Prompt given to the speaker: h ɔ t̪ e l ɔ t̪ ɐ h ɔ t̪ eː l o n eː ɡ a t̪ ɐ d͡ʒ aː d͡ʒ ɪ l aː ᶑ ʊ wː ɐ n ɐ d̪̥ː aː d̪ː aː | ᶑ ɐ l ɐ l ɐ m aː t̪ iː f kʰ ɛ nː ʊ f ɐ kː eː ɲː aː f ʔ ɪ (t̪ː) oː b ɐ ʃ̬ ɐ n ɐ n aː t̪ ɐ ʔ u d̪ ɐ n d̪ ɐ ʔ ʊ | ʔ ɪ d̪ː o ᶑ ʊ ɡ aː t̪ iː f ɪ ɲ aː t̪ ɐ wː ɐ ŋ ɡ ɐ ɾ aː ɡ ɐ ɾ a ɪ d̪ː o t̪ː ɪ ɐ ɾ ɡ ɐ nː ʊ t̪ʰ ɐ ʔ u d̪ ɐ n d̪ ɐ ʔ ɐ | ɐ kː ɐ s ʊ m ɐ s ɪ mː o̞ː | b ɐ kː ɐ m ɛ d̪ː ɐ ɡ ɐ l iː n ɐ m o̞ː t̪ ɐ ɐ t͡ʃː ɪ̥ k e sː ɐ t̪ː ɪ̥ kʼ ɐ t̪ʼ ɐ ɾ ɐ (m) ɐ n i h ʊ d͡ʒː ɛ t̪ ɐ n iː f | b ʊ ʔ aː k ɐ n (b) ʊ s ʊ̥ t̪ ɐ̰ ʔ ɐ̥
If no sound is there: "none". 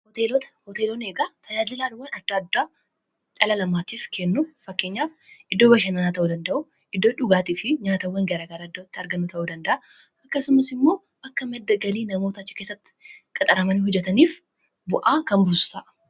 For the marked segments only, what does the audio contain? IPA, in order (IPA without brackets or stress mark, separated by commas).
d̪ː, m, b